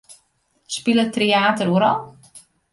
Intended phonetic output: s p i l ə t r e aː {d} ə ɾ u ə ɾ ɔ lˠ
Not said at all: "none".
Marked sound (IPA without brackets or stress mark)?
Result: t